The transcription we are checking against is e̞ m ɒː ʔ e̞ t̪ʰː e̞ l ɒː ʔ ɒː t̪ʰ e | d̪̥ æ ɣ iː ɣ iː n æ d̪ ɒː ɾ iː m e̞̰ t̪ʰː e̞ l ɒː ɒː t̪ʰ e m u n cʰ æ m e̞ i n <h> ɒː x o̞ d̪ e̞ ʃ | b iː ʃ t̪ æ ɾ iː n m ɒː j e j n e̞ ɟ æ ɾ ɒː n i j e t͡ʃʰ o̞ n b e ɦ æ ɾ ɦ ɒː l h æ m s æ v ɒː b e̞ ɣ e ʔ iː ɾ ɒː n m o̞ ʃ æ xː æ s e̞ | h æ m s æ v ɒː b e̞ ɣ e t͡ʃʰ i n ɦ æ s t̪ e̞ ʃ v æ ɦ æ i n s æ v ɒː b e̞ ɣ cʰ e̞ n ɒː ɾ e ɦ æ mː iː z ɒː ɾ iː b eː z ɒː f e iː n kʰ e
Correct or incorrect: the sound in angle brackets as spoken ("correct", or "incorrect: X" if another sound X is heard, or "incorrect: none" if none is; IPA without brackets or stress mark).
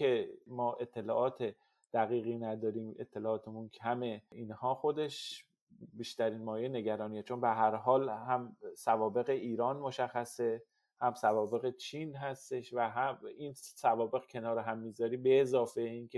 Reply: correct